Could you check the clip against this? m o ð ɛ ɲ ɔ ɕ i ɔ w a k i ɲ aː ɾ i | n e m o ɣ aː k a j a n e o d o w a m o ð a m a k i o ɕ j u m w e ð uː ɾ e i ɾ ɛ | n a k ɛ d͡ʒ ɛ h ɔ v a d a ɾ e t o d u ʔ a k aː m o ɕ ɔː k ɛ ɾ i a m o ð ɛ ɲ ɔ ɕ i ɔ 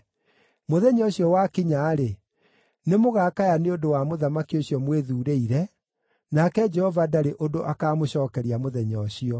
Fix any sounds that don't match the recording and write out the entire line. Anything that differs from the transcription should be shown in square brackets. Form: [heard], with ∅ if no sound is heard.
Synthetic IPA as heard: m o ð ɛ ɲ ɔ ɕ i ɔ w a k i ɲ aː ɾ [e] | n e m o ɣ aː k a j a n e o d o w a m o ð a m a k i o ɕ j [ɔ] m w e ð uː ɾ e i ɾ ɛ | n a k ɛ d͡ʒ ɛ h ɔ v a d a ɾ e [ʔ] o d [o] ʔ a k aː m o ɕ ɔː k ɛ ɾ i a m o ð ɛ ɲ ɔ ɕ i ɔ